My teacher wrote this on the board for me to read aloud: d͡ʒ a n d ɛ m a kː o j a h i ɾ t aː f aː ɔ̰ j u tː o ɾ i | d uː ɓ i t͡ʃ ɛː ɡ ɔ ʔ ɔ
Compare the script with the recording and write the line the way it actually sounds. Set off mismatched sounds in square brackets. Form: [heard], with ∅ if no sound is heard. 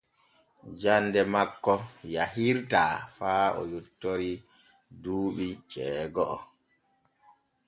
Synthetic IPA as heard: d͡ʒ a n d ɛ m a kː [ɔ] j a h i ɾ t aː f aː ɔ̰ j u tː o ɾ i | d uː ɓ i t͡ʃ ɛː ɡ ɔ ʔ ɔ